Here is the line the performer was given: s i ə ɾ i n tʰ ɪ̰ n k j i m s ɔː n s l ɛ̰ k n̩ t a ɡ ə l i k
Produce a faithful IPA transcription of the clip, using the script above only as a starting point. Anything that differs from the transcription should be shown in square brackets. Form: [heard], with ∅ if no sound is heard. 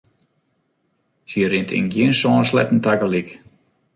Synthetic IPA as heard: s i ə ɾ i n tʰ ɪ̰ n [ɡ] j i [n] s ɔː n s l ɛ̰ [t] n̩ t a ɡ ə l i k